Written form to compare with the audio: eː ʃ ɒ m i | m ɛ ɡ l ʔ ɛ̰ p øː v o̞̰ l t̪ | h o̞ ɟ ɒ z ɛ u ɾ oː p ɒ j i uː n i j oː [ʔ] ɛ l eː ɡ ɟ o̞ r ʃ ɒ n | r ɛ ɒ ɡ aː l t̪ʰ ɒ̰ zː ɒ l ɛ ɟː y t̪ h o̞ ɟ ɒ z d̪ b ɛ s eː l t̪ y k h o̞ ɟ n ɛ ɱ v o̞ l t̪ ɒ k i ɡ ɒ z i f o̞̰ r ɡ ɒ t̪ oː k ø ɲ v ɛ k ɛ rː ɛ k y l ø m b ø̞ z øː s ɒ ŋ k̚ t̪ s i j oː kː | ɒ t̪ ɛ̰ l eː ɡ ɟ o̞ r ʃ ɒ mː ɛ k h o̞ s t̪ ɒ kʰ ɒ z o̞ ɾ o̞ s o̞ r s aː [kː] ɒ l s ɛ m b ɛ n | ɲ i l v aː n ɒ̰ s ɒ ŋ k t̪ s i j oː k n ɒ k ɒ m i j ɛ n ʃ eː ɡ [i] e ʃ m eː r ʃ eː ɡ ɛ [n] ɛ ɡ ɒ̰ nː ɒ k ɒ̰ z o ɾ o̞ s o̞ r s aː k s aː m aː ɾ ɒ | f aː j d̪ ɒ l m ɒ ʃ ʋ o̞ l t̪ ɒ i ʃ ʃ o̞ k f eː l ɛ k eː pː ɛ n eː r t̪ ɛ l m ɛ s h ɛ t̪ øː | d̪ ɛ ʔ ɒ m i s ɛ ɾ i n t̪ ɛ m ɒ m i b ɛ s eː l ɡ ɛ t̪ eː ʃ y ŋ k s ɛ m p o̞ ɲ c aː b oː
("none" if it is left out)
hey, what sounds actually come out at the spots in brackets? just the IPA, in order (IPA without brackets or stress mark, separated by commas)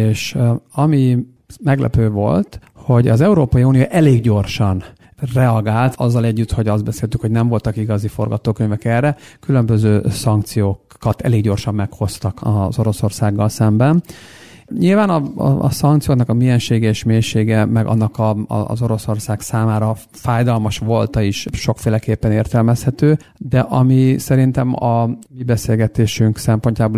ʔ, ɡː, ɛ, m